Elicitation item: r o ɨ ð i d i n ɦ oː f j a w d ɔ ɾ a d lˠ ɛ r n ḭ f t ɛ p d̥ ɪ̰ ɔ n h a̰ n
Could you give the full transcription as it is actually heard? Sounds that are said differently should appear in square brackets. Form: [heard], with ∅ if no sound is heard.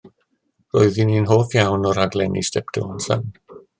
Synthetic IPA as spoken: r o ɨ ð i [n] i n ɦ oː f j a w [n] ɔ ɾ a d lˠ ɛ [∅] n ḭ [s] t ɛ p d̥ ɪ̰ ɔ n [s] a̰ n